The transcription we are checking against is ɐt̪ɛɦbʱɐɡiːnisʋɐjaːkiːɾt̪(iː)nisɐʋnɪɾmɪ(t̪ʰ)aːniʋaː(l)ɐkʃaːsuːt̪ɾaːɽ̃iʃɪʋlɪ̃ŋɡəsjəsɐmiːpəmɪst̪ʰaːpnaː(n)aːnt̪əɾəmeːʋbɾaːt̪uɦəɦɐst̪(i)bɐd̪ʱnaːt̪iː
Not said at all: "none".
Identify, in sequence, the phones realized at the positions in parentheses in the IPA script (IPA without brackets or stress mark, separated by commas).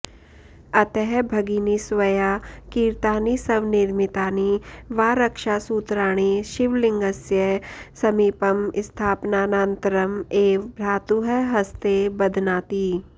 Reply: aː, t̪, ɾ, n, e